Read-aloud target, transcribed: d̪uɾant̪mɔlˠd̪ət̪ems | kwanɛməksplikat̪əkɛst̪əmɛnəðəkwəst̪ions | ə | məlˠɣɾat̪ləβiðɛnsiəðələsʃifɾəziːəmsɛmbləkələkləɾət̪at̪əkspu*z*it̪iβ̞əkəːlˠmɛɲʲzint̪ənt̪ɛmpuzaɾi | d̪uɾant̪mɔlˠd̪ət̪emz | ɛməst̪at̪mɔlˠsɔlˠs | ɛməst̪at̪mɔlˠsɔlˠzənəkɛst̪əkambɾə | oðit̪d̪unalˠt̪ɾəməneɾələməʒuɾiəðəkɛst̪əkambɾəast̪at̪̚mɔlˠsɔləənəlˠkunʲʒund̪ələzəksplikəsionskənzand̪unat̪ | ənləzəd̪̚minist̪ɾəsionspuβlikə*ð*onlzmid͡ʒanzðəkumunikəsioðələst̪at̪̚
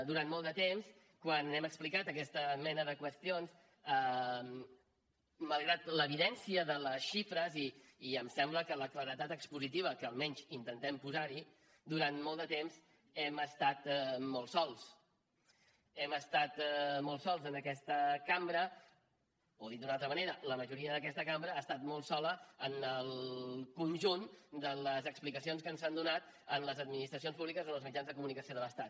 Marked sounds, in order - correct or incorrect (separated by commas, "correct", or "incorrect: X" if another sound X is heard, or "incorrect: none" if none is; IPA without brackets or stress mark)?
correct, incorrect: z